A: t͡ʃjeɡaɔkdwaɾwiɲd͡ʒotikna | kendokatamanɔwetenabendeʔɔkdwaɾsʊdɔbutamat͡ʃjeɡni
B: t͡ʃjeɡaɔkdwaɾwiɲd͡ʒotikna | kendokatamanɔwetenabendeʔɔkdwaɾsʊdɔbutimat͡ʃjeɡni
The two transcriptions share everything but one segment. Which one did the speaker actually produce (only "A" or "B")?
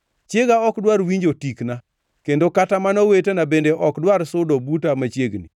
A